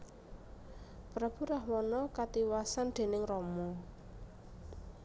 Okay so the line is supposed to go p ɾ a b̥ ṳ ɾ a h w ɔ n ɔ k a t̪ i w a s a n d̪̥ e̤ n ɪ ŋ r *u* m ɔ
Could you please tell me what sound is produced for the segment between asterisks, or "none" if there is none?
ɔ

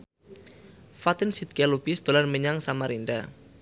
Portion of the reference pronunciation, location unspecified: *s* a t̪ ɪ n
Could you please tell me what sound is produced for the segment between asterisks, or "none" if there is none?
f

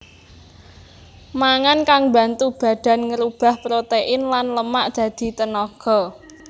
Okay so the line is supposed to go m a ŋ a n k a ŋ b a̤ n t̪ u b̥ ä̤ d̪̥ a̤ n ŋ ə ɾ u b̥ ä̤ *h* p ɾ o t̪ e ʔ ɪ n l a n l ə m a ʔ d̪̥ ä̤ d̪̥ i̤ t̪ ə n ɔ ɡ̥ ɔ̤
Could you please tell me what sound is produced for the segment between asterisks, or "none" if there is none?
h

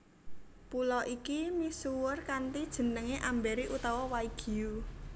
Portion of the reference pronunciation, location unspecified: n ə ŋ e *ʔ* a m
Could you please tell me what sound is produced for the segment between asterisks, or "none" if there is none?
ʔ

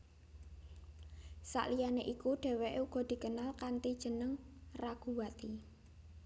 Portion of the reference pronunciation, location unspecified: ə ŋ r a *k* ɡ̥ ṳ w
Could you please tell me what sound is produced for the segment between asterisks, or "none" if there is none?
none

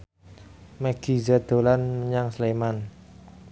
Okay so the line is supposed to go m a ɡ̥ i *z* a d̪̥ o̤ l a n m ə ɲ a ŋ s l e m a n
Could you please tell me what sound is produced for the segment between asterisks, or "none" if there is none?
z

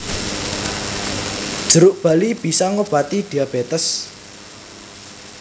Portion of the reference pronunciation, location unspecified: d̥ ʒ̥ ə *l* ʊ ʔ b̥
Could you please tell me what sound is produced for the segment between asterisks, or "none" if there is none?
ɾ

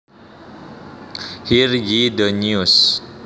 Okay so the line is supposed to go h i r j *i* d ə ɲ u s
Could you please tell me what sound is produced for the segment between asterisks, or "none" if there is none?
i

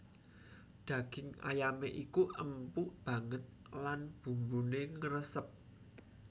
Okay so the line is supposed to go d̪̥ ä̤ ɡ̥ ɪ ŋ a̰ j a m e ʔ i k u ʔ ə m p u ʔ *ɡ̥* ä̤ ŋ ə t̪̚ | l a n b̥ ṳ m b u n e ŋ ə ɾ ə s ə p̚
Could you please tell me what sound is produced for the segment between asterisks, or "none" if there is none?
b̥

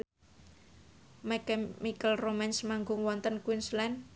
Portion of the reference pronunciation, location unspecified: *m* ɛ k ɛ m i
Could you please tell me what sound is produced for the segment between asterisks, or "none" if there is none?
m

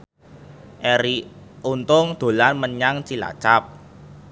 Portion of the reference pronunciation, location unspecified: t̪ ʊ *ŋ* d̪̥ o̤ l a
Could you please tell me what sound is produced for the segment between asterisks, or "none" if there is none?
ŋ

